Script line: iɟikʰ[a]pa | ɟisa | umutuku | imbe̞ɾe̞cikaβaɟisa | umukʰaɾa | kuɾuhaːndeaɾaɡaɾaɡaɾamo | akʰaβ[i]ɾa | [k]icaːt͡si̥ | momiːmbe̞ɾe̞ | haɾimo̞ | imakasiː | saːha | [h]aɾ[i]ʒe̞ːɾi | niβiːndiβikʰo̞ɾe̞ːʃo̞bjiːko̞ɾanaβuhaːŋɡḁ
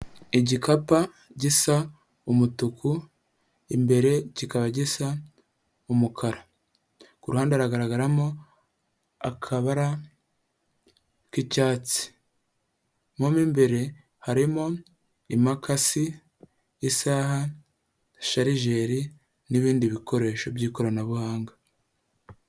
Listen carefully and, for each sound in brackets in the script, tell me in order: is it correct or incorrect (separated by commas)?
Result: correct, incorrect, correct, incorrect, correct